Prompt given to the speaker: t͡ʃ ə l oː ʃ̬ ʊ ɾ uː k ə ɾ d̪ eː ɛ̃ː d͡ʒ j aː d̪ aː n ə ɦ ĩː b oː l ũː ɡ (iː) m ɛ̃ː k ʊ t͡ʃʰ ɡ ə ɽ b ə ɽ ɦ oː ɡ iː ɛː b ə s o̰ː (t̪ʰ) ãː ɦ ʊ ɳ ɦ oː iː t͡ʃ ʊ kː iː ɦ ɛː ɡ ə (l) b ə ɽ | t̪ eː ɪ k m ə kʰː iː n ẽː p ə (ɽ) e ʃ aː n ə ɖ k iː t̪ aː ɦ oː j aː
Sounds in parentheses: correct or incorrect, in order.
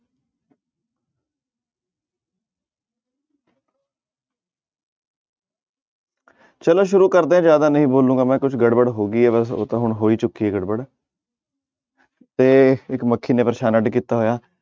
incorrect, incorrect, incorrect, incorrect

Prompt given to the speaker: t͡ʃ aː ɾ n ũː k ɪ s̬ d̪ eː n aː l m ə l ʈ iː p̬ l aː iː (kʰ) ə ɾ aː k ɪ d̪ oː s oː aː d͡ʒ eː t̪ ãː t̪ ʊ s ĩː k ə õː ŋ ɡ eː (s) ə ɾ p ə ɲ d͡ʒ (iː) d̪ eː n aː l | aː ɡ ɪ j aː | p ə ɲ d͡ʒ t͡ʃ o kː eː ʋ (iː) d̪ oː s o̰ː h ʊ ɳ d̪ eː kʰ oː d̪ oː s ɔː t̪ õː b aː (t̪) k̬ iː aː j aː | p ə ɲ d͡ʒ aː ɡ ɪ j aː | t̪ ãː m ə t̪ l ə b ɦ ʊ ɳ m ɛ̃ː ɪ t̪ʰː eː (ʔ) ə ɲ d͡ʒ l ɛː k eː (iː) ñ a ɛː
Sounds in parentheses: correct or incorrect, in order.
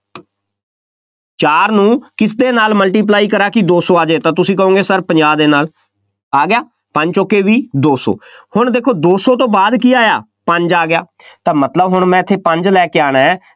incorrect, correct, incorrect, correct, incorrect, incorrect, incorrect

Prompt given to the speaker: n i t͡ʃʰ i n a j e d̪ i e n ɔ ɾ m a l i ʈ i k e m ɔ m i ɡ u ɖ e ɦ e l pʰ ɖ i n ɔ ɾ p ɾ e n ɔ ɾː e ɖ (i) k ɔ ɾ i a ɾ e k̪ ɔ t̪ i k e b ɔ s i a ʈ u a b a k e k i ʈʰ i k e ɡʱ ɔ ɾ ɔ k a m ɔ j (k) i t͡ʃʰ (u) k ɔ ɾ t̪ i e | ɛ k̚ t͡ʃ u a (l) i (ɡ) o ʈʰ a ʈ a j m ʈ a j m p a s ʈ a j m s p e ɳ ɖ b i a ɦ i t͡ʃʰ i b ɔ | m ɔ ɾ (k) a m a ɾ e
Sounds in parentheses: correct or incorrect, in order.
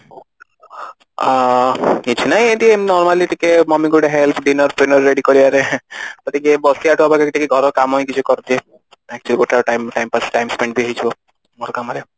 correct, correct, correct, correct, correct, correct

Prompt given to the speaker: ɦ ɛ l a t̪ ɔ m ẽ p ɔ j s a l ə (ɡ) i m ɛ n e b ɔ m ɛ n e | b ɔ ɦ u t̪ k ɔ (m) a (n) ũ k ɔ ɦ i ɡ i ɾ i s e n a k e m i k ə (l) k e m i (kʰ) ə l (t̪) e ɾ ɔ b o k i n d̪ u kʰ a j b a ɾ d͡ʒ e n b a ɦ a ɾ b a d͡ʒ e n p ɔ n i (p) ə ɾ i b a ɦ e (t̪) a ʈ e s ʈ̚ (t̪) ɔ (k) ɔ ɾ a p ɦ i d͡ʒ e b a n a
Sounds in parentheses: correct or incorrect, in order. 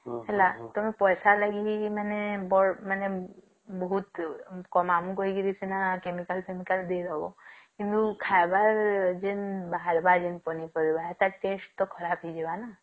correct, correct, incorrect, correct, incorrect, incorrect, correct, correct, correct, incorrect

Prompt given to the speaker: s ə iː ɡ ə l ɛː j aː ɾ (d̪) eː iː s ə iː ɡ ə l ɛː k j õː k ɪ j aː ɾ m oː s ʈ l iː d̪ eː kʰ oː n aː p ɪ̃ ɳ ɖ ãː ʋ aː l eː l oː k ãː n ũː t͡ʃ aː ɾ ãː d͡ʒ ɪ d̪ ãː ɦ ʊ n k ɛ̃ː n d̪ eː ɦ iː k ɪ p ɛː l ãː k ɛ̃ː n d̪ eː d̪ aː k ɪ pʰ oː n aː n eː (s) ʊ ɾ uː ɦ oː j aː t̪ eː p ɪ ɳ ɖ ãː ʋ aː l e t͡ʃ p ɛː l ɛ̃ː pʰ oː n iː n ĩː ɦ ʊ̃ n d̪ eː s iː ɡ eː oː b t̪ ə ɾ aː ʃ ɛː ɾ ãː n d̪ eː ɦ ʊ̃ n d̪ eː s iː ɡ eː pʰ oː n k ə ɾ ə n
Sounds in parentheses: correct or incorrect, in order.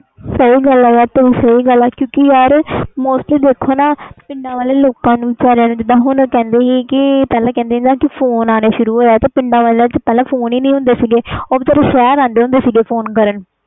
incorrect, incorrect

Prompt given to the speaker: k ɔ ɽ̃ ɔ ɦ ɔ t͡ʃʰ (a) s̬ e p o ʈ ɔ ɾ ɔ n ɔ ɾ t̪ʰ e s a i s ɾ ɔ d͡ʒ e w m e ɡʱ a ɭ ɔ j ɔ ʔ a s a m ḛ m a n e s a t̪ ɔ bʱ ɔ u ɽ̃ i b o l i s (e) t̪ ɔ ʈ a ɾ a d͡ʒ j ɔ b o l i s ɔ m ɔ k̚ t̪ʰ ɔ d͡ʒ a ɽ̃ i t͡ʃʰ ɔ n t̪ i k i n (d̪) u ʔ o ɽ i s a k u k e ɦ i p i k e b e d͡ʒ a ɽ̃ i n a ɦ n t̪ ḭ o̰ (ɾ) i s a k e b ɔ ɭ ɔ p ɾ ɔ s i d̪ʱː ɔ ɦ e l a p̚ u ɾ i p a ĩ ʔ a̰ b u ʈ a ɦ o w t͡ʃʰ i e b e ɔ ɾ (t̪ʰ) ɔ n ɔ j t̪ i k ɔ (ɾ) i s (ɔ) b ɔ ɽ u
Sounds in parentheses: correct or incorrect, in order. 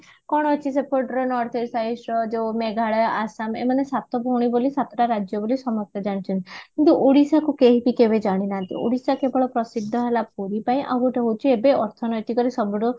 incorrect, incorrect, incorrect, incorrect, correct, correct, correct

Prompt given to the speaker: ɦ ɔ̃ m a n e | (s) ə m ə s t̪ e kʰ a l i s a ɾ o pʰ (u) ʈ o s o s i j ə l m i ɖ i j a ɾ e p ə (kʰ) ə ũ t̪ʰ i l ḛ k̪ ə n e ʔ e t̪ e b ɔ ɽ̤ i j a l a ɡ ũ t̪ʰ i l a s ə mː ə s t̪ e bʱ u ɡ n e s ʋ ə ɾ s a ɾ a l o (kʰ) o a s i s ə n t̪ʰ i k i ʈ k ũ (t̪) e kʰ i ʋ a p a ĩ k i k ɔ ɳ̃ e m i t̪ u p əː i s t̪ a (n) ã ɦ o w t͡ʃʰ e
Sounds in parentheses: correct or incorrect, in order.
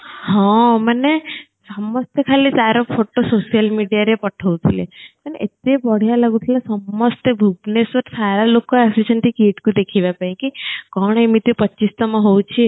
correct, incorrect, incorrect, incorrect, incorrect, incorrect

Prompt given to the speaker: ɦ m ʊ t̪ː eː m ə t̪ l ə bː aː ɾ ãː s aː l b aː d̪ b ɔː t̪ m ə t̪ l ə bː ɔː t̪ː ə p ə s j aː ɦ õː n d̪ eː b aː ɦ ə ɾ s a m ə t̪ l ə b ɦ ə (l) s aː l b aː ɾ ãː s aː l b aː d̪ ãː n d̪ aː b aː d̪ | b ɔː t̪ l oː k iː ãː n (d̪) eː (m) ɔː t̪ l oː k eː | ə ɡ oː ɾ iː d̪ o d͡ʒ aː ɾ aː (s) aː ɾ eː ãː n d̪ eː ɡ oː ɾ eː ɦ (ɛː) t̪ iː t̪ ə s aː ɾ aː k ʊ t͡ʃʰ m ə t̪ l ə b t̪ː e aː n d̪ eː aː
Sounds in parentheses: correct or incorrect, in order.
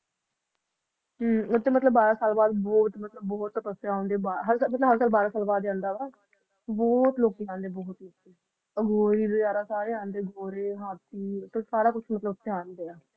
incorrect, correct, incorrect, correct, incorrect

